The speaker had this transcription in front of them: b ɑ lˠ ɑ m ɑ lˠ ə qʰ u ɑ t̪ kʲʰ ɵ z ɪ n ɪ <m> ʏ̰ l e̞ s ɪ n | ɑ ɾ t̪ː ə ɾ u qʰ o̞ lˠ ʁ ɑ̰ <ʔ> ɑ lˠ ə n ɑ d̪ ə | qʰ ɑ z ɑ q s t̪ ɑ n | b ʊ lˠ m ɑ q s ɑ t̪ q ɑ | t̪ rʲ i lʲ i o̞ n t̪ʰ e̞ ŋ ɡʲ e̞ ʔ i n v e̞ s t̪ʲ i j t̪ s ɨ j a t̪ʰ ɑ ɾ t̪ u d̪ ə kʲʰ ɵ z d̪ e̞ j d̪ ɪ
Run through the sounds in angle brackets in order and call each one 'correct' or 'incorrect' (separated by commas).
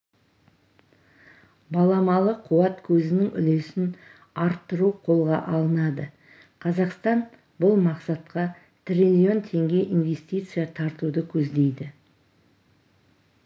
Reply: incorrect, correct